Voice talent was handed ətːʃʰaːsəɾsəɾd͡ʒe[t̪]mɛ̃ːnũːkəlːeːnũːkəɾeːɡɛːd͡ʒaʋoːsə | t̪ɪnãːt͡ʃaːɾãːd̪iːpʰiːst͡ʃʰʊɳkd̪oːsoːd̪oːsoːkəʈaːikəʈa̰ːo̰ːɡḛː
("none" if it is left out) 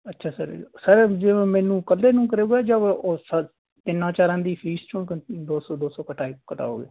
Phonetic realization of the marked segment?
none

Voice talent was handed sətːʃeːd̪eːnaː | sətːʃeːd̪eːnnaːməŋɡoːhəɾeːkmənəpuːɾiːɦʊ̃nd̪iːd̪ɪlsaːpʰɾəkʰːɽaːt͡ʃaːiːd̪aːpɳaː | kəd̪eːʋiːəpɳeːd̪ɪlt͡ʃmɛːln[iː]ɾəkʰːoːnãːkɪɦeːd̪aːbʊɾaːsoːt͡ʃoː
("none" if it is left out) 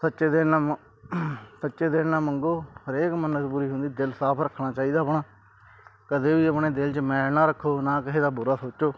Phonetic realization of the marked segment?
aː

